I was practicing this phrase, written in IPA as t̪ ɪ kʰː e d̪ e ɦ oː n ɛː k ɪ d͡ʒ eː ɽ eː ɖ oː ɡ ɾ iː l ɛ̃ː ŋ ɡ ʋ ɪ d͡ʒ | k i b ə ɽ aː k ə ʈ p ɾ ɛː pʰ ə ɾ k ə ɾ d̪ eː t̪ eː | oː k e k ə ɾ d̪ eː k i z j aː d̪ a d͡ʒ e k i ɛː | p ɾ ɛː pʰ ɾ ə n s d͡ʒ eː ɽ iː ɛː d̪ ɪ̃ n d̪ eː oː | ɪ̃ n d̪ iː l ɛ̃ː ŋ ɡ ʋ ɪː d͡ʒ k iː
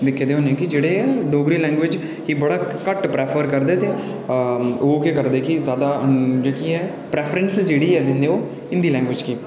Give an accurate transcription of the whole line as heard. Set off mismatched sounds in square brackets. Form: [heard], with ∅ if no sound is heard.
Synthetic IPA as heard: [d̪] ɪ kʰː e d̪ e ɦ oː n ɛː k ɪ d͡ʒ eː ɽ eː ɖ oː ɡ ɾ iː l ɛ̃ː ŋ ɡ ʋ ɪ d͡ʒ | k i b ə ɽ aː k ə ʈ p ɾ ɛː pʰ ə ɾ k ə ɾ d̪ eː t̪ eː | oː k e k ə ɾ d̪ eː k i z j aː d̪ a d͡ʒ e k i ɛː | p ɾ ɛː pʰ ɾ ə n s d͡ʒ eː ɽ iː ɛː d̪ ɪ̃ n d̪ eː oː | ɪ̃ n d̪ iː l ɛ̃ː ŋ ɡ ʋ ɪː d͡ʒ k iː